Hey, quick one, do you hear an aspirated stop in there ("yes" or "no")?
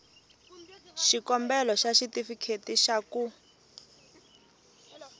yes